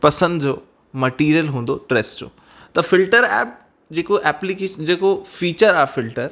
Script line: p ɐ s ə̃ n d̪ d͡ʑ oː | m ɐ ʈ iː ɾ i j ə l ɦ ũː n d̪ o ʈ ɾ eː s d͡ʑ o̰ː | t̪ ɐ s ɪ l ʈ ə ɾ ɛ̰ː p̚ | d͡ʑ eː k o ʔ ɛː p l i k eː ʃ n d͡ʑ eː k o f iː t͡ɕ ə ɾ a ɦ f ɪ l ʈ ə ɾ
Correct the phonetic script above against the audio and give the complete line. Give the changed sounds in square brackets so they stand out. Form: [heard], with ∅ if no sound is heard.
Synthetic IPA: p ɐ s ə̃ n d̪ d͡ʑ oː | m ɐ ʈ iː ɾ i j ə l ɦ ũː n d̪ o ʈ ɾ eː s d͡ʑ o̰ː | t̪ ɐ [f] ɪ l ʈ ə ɾ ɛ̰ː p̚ | d͡ʑ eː k o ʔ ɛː p l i k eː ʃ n d͡ʑ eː k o f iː t͡ɕ ə ɾ a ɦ f ɪ l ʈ ə ɾ